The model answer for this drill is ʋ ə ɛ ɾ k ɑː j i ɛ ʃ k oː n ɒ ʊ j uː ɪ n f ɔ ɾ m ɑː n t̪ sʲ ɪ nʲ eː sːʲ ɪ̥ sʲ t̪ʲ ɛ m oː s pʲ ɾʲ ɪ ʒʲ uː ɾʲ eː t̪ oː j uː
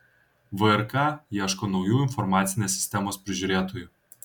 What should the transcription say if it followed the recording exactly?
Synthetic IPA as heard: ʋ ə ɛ ɾ k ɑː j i ɛ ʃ k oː n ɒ ʊ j uː ɪ n f ɔ ɾ m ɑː t̪ sʲ ɪ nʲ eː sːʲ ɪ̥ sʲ t̪ʲ ɛ m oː s pʲ ɾʲ ɪ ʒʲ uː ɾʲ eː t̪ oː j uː